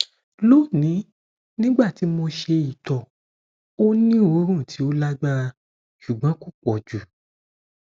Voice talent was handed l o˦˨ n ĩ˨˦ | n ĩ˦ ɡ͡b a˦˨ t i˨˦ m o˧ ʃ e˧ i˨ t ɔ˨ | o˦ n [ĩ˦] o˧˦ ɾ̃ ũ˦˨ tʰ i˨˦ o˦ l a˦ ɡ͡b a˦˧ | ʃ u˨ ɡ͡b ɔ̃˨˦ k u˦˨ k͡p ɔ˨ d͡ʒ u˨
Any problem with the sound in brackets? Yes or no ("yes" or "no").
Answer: no